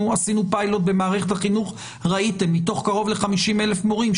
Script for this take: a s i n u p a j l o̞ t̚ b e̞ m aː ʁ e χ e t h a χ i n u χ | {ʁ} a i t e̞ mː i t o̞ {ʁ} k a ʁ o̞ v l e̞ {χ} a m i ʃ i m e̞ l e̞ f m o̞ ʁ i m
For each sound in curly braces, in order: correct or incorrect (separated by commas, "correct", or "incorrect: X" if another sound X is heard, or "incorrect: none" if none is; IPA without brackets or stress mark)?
correct, incorrect: χ, correct